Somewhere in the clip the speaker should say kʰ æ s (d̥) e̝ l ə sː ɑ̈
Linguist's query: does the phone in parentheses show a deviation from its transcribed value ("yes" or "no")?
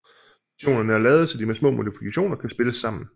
yes